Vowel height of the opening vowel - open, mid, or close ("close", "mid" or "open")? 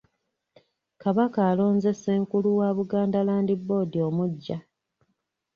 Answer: open